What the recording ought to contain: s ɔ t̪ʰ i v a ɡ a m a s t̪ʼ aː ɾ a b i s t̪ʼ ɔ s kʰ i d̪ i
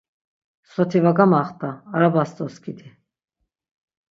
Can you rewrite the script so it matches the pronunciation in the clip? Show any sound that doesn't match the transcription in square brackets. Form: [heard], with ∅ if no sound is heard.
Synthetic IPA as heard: s ɔ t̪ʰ i v a ɡ a m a [χ] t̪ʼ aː ɾ a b [a] s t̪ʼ ɔ s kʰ i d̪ i